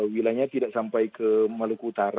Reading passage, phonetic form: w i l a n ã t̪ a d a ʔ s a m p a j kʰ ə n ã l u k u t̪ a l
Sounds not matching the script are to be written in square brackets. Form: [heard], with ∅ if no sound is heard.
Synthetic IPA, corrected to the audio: w i l a [ɲ] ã t̪ [i] d a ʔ s a m p a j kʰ ə [m] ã l u k u t̪ a [ɾ]